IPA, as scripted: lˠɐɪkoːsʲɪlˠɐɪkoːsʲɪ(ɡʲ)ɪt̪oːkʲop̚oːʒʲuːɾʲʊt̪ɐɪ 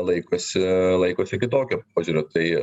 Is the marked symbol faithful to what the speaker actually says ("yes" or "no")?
no